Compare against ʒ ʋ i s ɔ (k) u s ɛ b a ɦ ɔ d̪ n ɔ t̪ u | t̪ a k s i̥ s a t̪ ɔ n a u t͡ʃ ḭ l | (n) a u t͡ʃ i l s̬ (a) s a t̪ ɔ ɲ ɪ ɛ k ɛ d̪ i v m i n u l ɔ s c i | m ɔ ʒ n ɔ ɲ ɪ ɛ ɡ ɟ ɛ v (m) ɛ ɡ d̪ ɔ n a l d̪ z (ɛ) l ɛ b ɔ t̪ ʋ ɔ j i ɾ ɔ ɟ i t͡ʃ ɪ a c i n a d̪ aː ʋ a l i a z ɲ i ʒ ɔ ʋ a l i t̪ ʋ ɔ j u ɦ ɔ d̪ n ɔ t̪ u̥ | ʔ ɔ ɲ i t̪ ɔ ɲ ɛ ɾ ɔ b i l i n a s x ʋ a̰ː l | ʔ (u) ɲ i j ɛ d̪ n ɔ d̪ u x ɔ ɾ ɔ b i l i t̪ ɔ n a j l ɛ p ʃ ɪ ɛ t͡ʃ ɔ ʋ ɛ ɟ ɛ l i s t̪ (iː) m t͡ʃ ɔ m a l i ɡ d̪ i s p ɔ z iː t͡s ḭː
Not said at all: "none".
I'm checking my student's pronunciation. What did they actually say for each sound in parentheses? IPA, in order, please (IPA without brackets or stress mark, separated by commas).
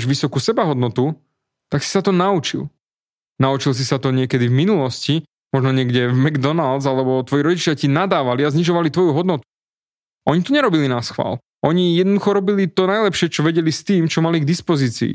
k, n, i, m, a, ɔ, iː